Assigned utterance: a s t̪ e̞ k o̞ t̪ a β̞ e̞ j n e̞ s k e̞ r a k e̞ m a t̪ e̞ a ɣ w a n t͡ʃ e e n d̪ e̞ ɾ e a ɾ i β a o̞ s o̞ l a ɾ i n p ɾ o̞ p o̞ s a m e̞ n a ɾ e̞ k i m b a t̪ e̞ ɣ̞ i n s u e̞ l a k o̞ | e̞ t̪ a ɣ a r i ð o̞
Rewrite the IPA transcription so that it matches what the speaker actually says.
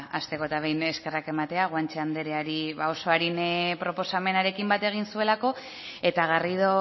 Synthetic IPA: a s t̪ e̞ k o̞ t̪ a β̞ e̞ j n e̞ s k e̞ r a k e̞ m a t̪ e̞ a ɣ w a n t͡ʃ e a n d̪ e̞ ɾ e a ɾ i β a o̞ s o̞ a ɾ i n p ɾ o̞ p o̞ s a m e̞ n a ɾ e̞ k i m b a t̪ e̞ ɣ̞ i n s u e̞ l a k o̞ | e̞ t̪ a ɣ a r i ð o̞